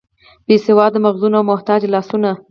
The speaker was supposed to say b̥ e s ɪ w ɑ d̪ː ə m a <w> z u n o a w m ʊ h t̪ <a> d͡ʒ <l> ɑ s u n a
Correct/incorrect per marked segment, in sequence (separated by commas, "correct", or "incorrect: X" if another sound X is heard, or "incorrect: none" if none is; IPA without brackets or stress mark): incorrect: ɣ, incorrect: ɑ, correct